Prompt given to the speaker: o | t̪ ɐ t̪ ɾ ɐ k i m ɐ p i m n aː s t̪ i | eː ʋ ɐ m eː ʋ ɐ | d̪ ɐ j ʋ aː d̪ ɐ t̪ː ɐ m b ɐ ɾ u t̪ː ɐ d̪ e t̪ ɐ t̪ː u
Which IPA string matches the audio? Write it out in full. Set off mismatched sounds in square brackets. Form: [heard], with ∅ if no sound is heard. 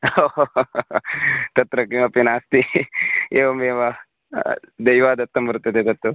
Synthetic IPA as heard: o | t̪ ɐ t̪ ɾ ɐ k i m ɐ p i [∅] n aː s t̪ i | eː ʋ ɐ m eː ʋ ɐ | d̪ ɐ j ʋ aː d̪ ɐ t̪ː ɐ m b ɐ ɾ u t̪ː ɐ d̪ e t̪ ɐ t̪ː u